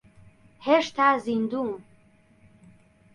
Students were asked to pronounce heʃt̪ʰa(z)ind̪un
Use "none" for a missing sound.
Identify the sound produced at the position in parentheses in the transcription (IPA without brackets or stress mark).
z